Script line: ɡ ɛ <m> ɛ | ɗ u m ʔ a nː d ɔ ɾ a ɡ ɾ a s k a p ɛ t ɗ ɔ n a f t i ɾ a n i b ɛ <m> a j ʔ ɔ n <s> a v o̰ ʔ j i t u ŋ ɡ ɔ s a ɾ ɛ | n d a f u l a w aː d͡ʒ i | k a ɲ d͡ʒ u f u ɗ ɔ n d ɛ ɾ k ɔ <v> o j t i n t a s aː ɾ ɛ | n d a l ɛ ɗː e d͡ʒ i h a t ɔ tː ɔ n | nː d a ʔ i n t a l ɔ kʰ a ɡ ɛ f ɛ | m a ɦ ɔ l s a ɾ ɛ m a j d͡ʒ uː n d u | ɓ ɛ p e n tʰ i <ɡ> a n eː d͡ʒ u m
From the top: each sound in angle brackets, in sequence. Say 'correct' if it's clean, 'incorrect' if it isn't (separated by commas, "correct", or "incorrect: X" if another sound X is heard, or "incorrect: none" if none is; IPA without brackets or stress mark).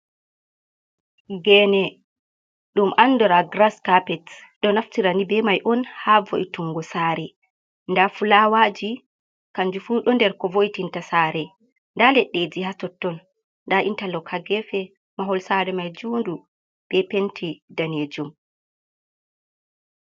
incorrect: n, correct, incorrect: h, correct, incorrect: d